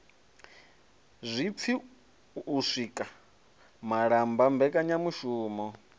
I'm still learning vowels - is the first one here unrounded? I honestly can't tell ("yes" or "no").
yes